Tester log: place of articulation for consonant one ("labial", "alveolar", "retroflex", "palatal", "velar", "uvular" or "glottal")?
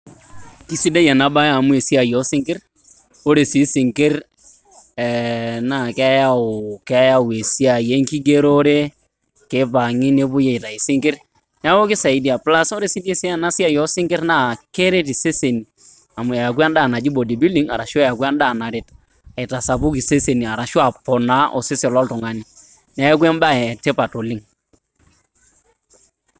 velar